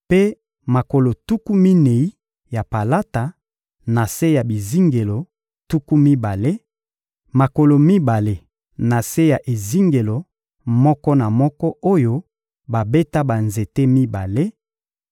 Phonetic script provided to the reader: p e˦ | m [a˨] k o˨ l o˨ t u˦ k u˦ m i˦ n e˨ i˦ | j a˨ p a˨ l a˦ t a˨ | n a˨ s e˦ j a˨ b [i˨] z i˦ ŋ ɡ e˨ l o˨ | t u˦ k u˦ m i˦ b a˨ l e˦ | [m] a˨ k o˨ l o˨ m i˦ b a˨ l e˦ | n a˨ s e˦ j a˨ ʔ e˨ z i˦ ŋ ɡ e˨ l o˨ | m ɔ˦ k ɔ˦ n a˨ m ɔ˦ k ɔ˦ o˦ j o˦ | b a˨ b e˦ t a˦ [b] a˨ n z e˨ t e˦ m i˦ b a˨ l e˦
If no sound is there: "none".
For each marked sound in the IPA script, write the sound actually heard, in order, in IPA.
a˨, i˨, m, b

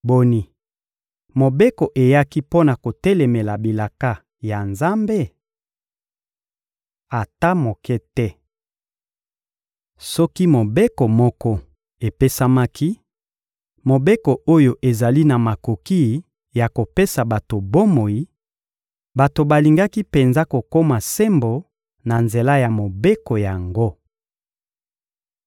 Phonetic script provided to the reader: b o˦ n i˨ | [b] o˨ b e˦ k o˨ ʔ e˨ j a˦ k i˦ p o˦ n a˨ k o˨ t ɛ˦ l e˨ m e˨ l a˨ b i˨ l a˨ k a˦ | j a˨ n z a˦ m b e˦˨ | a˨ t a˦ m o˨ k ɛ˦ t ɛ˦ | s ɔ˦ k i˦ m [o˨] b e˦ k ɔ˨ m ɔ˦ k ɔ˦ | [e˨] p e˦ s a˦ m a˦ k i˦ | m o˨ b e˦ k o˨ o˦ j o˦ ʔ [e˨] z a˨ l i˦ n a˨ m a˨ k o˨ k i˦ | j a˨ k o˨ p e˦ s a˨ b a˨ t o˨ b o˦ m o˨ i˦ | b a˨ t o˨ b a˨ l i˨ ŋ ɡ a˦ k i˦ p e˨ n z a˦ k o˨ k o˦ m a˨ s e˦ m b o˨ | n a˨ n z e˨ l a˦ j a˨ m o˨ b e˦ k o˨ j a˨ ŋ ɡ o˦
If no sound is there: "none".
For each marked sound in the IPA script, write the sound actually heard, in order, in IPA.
m, o˨, e˨, e˨

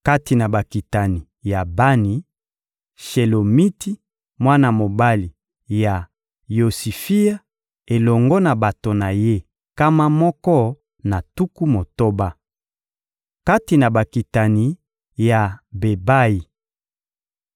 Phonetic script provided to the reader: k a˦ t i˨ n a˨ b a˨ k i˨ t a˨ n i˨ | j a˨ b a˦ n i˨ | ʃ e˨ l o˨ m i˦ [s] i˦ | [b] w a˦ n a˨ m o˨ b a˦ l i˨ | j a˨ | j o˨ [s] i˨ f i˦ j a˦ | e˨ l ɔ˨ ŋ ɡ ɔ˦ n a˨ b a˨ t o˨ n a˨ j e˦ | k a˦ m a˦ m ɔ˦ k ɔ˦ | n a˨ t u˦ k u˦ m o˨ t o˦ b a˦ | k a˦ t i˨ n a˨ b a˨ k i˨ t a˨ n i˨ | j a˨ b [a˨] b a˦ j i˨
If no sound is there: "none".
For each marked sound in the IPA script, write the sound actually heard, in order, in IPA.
t, m, s, e˨

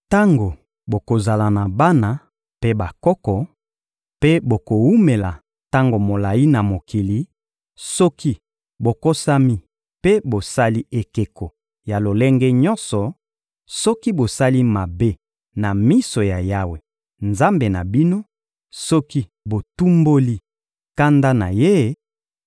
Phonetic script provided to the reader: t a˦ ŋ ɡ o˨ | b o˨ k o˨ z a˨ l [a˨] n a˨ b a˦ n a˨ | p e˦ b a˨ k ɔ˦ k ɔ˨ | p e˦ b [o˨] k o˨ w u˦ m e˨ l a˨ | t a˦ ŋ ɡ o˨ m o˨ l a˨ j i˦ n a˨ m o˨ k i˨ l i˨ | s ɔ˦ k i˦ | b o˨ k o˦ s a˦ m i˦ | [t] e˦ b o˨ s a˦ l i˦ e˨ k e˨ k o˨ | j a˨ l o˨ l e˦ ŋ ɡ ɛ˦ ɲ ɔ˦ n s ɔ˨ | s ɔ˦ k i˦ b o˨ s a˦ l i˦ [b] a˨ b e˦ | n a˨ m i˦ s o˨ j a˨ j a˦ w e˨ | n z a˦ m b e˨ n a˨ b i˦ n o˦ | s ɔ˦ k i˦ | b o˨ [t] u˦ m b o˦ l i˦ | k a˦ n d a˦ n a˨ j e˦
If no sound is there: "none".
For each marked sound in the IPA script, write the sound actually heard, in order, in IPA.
a˨, o˨, p, m, t

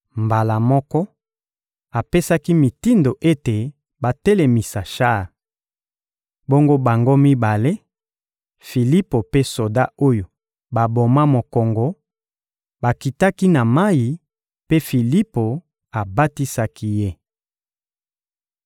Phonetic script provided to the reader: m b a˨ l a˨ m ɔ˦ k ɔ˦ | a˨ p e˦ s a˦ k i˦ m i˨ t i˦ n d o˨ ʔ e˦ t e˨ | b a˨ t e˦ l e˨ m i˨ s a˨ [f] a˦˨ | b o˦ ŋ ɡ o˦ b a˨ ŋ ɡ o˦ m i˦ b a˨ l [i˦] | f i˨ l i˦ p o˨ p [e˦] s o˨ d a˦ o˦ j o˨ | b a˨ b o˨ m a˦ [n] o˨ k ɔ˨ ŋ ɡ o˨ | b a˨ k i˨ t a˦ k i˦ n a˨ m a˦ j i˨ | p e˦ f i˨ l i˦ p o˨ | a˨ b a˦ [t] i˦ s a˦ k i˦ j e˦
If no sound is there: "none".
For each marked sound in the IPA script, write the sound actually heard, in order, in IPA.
ʃ, e˦, e˦, m, t

